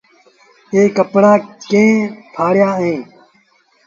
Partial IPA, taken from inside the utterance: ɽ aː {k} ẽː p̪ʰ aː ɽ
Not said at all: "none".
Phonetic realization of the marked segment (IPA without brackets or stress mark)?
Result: k